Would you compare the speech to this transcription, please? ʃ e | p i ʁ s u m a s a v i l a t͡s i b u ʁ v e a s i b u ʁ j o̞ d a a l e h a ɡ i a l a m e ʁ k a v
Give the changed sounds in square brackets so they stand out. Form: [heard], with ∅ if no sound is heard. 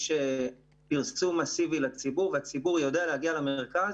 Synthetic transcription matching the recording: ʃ e | p i ʁ s u m a s [i] v i l a t͡s i b u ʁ v e a [t͡s] i b u ʁ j o̞ d [e] a l e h a ɡ i a l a m e ʁ k a [z]